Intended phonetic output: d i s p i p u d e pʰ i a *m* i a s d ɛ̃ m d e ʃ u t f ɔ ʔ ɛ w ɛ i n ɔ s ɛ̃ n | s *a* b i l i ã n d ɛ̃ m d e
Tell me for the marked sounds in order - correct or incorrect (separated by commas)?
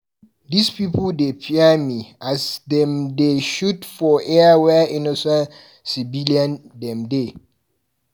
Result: correct, incorrect